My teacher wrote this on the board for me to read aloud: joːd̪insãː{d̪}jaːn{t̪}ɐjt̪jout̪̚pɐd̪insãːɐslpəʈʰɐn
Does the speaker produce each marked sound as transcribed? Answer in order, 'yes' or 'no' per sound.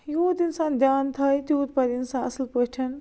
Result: yes, no

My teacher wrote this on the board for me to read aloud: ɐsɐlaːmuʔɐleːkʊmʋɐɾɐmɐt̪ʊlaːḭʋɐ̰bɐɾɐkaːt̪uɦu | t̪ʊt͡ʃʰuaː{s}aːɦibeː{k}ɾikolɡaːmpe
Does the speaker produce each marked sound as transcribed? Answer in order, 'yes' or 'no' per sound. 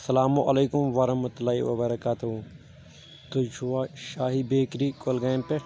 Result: no, yes

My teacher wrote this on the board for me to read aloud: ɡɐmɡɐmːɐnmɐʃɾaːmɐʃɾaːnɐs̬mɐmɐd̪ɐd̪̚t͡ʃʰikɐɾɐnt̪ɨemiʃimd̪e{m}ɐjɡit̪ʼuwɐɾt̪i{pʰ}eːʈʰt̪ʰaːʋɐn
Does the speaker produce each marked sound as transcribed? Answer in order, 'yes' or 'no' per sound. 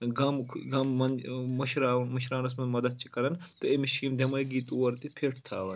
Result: yes, yes

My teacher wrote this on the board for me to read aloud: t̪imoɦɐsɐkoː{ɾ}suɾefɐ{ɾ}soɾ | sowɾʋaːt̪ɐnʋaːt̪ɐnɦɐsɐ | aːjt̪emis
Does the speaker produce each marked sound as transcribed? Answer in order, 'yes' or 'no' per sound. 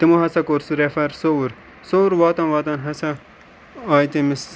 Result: yes, yes

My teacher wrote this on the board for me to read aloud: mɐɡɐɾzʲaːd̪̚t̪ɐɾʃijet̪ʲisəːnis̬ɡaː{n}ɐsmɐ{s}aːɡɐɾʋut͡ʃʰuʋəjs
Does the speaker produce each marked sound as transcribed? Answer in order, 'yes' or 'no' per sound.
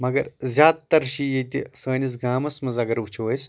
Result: no, no

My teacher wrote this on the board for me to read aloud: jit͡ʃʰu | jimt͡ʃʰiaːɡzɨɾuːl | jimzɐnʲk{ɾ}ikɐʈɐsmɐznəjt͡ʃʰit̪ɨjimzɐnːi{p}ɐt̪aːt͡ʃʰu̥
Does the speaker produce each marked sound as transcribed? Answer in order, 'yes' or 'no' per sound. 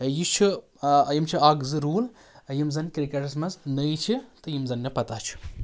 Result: yes, yes

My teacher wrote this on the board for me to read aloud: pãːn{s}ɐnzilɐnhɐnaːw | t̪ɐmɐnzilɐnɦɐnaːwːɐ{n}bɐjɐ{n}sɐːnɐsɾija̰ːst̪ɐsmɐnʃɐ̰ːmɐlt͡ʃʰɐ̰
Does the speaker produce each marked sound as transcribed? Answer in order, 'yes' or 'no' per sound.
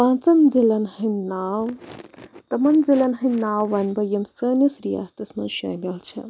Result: no, yes, no

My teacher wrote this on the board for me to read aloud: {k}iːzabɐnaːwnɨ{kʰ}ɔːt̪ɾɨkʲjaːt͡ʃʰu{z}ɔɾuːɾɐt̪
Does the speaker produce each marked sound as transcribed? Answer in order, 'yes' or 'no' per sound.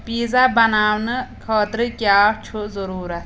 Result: no, yes, yes

